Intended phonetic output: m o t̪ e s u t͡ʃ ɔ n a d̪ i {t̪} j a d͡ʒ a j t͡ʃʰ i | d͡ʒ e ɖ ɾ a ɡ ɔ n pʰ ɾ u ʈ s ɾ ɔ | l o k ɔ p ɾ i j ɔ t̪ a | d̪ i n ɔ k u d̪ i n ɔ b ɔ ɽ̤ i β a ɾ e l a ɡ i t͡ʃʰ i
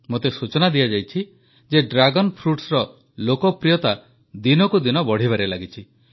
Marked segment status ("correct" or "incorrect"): incorrect